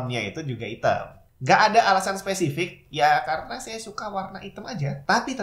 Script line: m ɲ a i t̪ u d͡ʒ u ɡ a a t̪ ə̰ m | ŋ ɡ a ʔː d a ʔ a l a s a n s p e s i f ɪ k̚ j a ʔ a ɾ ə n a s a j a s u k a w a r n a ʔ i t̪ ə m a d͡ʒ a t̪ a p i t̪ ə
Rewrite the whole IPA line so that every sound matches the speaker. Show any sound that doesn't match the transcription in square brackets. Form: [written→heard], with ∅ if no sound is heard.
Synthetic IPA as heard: m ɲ a i t̪ u d͡ʒ u ɡ a [a→i] t̪ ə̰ m | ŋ ɡ a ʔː d a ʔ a l a s a n s p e s i f ɪ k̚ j a [ʔ→k] a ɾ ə n a s a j a s u k a w a r n a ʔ i t̪ ə m a d͡ʒ a t̪ a p i t̪ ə